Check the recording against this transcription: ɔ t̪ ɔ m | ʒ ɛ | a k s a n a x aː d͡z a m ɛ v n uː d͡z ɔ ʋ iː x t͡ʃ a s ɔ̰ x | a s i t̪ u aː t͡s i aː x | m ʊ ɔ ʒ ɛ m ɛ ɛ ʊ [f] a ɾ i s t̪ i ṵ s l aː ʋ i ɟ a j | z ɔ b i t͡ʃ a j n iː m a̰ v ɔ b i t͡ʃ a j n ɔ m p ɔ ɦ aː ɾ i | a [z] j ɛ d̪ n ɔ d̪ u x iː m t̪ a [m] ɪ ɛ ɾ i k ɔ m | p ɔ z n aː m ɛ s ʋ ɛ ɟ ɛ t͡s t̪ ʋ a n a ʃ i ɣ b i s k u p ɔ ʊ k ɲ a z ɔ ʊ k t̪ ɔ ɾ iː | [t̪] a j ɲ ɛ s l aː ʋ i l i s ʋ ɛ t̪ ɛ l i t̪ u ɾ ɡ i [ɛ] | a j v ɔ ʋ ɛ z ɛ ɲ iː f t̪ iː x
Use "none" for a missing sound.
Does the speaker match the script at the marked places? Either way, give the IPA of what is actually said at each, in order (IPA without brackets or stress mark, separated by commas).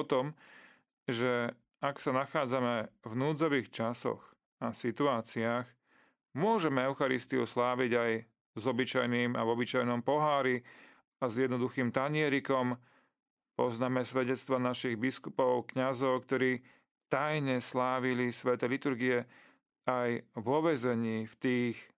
x, z, ɲ, t̪, ɛ